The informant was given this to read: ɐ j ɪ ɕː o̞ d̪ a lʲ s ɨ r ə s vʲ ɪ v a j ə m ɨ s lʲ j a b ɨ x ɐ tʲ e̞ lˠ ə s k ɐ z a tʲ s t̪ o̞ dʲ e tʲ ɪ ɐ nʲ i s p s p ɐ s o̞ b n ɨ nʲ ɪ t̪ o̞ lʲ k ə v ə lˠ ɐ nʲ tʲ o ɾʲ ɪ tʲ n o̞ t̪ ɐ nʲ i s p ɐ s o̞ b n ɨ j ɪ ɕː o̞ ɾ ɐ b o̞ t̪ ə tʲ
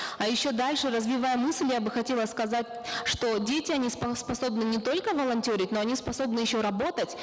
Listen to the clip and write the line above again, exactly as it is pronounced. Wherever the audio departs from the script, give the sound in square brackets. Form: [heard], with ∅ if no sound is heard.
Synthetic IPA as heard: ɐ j ɪ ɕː o̞ d̪ a lʲ [ʂ] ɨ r ə [z] vʲ ɪ v a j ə m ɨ s lʲ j a b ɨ x ɐ tʲ e̞ lˠ ə s k ɐ z a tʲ [ʂ] t̪ o̞ dʲ e tʲ ɪ ɐ nʲ i s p s p ɐ s o̞ b n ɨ nʲ ɪ t̪ o̞ lʲ k ə v ə lˠ ɐ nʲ tʲ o ɾʲ ɪ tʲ n o̞ [∅] ɐ nʲ i s p ɐ s o̞ b n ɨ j ɪ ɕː o̞ ɾ ɐ b o̞ t̪ ə tʲ